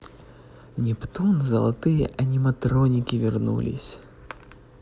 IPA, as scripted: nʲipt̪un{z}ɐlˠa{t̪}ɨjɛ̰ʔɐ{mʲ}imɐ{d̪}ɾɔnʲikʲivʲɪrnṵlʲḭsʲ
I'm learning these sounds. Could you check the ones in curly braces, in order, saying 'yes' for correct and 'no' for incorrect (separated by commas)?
yes, yes, no, no